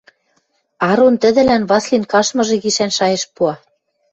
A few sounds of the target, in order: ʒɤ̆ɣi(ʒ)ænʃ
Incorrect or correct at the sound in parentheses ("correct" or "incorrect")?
incorrect